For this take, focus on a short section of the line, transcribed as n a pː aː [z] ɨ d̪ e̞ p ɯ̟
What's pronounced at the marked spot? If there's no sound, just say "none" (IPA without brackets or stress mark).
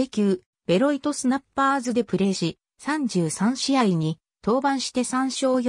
z